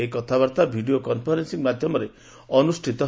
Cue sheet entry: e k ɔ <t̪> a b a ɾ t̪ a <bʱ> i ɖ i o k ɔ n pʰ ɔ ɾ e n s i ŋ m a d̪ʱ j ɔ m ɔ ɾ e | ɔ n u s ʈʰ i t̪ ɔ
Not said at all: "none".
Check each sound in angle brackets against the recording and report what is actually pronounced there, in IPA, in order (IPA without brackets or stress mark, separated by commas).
t̪ʰ, bʱ